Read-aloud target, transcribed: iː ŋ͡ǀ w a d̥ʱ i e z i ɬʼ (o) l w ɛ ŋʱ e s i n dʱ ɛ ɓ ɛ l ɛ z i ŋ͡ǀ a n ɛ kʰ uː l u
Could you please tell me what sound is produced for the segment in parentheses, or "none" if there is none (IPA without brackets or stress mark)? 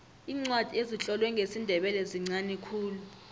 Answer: ɔ